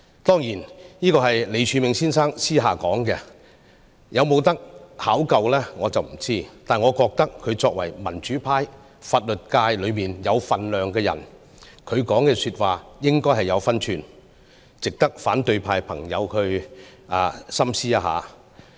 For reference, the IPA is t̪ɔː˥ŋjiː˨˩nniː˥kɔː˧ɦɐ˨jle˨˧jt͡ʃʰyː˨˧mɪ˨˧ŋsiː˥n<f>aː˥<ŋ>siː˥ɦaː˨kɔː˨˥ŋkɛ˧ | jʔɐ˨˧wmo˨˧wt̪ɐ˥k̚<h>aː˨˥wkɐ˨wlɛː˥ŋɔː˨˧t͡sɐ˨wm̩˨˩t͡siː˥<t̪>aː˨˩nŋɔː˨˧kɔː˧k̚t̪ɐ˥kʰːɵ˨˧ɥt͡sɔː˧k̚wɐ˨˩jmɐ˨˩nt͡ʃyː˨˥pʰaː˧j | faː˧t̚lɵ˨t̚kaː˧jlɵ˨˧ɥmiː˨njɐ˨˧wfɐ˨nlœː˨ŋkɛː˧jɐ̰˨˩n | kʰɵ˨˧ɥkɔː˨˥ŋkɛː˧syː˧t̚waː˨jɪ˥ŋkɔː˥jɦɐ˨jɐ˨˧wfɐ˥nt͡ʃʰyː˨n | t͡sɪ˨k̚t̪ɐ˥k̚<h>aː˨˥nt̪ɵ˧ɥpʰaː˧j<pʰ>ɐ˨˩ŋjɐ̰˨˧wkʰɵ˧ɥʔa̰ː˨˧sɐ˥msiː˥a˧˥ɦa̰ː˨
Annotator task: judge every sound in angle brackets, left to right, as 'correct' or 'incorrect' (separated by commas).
incorrect, correct, correct, correct, incorrect, correct